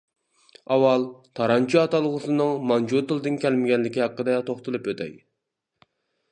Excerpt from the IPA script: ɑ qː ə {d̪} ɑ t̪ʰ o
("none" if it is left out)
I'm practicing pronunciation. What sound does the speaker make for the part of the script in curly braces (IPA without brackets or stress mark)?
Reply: d̪